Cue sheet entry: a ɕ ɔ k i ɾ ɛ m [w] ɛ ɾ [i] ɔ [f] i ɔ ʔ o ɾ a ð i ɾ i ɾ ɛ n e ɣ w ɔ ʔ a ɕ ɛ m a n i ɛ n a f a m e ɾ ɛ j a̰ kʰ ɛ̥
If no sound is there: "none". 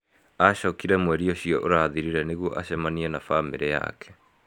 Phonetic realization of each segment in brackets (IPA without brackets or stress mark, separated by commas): w, i, ɕ